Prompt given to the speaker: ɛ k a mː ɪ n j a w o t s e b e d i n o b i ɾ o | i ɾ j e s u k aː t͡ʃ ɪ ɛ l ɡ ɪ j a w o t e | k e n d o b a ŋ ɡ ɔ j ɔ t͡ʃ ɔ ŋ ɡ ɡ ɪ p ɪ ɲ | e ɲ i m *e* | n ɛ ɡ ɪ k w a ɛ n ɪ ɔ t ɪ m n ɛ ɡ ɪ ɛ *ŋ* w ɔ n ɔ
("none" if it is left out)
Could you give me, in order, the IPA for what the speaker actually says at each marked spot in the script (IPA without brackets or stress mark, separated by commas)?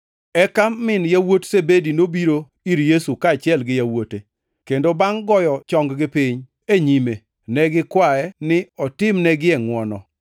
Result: e, ŋ